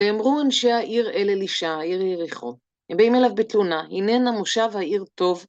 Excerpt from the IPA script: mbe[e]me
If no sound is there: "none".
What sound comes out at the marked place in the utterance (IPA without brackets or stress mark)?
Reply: i